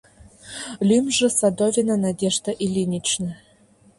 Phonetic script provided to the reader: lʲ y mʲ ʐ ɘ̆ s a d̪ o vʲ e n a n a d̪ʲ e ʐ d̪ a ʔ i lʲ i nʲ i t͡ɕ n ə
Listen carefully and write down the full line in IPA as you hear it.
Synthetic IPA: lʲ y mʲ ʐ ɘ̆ s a d̪ o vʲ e n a n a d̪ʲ e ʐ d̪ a ʔ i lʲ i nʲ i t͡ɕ n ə